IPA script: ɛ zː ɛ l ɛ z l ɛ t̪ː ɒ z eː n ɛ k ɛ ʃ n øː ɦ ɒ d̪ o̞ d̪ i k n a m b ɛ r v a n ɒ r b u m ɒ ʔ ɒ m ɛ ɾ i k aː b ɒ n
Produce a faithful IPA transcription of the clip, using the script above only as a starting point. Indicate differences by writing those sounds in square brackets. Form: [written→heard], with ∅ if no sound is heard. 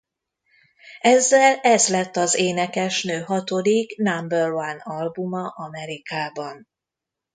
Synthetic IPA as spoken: ɛ zː ɛ l ɛ z l ɛ t̪ː ɒ z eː n ɛ k ɛ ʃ n øː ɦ ɒ [d̪→t̪] o̞ d̪ i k n a m b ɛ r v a n ɒ [r→l] b u m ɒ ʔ ɒ m ɛ ɾ i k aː b ɒ n